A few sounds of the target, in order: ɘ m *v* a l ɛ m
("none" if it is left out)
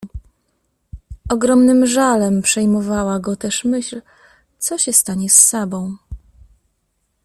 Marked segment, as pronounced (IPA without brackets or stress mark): ʐ